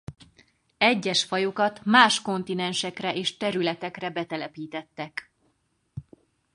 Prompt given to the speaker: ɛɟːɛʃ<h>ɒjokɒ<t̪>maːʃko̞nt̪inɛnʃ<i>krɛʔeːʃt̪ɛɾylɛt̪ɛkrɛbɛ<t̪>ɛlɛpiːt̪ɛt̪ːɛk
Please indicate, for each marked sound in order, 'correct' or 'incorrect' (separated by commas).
incorrect, correct, incorrect, correct